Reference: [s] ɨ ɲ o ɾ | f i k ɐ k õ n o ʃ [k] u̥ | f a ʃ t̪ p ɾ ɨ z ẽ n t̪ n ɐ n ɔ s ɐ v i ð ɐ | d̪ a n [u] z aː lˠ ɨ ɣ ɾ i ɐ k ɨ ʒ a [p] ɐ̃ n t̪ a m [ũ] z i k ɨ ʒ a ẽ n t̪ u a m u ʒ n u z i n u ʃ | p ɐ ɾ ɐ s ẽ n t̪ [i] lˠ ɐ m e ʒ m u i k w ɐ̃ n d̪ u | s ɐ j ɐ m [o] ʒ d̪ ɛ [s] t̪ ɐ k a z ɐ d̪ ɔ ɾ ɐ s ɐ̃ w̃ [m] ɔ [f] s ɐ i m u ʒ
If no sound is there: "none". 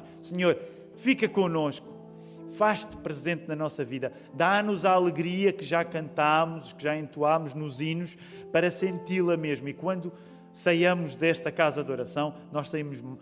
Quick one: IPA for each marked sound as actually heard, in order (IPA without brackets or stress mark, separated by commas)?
s, k, u, k, u, i, u, ʃ, n, ʃ